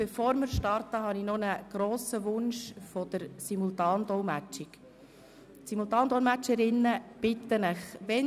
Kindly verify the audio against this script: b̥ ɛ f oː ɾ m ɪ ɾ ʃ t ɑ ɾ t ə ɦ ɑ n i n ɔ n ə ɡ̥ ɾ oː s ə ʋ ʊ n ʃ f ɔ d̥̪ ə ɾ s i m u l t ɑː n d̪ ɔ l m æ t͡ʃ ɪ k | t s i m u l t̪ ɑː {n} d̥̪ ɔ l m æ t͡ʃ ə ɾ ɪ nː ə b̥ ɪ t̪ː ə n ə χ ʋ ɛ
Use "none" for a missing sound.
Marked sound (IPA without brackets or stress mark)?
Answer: n